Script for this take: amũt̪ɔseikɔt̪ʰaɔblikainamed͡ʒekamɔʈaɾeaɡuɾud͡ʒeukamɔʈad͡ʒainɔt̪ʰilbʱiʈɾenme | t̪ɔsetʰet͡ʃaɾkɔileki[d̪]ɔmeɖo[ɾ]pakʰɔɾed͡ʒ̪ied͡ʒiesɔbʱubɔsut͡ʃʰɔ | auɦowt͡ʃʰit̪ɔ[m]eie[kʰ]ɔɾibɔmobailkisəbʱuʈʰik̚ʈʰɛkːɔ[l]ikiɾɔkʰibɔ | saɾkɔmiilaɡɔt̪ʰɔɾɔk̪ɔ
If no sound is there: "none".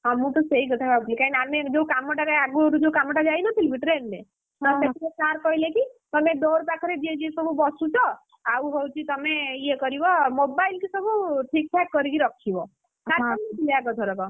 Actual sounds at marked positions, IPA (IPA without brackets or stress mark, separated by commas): t̪, ɾ, m, k, ɾ